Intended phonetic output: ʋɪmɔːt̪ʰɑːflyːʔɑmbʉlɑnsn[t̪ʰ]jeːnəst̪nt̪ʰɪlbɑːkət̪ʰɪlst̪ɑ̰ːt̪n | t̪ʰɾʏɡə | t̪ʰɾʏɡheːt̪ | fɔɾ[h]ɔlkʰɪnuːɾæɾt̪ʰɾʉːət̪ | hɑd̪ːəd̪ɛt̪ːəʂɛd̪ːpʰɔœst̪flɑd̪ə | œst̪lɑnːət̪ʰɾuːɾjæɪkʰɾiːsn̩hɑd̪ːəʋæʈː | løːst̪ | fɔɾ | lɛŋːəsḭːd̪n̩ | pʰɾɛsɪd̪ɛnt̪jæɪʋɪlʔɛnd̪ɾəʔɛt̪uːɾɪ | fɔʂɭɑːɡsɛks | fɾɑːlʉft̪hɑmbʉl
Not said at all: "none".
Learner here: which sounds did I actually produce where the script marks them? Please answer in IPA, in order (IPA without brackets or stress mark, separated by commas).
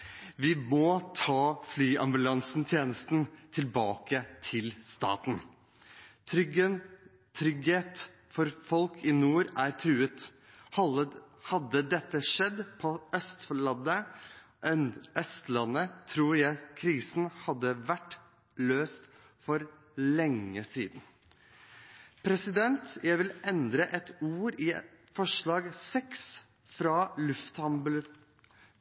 t̪ʰ, f